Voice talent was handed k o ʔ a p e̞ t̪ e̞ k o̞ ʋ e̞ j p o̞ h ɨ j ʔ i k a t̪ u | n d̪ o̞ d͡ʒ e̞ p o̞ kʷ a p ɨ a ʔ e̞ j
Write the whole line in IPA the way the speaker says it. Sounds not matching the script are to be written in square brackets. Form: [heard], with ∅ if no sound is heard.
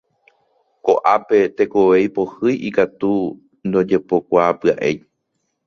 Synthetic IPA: k o ʔ a p e̞ t̪ e̞ k o̞ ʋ e̞ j p o̞ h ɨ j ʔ i k a t̪ u | n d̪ o̞ d͡ʒ e̞ p o̞ kʷ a p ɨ a ʔ e̞ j